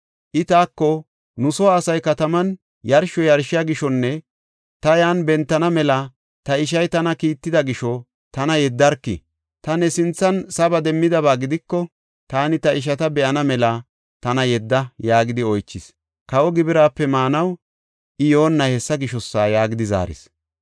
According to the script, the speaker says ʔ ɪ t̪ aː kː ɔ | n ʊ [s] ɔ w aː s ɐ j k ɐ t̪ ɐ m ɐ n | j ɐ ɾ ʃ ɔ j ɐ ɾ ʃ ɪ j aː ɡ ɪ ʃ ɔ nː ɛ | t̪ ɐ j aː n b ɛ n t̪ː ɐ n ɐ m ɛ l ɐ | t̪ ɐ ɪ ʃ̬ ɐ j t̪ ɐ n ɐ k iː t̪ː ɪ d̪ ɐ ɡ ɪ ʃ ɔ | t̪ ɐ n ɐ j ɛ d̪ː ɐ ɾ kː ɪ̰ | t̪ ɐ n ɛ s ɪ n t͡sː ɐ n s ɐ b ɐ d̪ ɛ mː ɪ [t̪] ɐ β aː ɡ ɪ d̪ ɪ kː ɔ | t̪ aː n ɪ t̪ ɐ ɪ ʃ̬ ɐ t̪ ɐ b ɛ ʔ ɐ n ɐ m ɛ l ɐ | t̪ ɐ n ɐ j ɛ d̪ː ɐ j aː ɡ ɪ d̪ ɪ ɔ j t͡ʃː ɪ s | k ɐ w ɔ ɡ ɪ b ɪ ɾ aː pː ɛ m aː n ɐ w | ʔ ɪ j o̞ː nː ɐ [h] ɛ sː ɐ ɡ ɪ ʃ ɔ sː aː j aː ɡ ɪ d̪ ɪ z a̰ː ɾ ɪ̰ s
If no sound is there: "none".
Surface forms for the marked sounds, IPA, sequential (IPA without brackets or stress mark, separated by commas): s, d̪, h